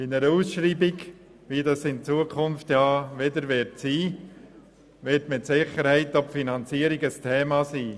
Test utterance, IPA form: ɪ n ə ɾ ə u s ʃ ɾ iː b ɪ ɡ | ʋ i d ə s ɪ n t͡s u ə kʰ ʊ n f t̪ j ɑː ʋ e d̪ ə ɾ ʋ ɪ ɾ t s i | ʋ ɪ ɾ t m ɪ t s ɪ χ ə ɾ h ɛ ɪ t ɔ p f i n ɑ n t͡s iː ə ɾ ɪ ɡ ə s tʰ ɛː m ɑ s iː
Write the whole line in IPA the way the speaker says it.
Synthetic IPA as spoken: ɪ n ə ɾ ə u s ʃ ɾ iː b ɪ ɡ | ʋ i d ɑ s ɪ n t͡s u ə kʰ ʊ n f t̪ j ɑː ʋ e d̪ ə ɾ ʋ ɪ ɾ t s iː | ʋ ɪ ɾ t m ɪ t s ɪ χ ə ɾ h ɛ ɪ t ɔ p f i n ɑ n t͡s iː ə ɾ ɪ ɡ ə s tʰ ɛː m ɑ s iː